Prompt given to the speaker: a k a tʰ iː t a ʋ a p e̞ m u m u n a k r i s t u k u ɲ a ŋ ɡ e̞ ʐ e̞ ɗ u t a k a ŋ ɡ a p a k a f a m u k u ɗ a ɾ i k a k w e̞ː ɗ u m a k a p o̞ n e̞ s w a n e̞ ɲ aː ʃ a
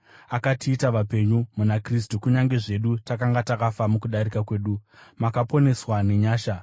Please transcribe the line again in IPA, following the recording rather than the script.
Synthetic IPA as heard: a k a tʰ iː t a ʋ a p e̞ ɲ u m u n a k r i s t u k u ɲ a ŋ ɡ e̞ ʐ e̞ ɗ u t a k a ŋ ɡ a t a k a f a m u k u ɗ a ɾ i k a k w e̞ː ɗ u m a k a p o̞ n e̞ s w a n e̞ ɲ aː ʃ a